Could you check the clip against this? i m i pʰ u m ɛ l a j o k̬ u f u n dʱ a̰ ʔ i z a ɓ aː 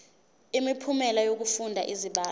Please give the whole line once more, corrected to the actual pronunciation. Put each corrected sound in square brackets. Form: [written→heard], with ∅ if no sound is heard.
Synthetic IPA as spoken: i m i pʰ u m ɛ l a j o k̬ u f u n dʱ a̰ ʔ i z [a→i] ɓ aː